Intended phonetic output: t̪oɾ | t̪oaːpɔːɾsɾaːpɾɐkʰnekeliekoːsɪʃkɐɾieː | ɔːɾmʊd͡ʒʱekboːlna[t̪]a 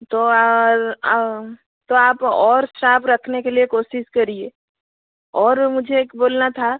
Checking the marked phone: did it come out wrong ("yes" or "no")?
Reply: yes